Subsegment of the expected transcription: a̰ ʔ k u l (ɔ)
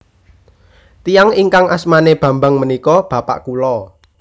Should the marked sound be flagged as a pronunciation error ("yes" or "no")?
no